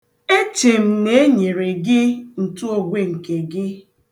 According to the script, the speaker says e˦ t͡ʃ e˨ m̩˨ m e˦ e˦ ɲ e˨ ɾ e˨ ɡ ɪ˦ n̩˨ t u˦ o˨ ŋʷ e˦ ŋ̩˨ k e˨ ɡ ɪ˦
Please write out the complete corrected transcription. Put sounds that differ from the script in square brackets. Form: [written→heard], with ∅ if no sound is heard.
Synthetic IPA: e˦ t͡ʃ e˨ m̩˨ [m→n] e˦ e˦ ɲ e˨ ɾ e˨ ɡ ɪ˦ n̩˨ t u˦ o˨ [ŋʷ→ɡʷ] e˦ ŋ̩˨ k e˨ ɡ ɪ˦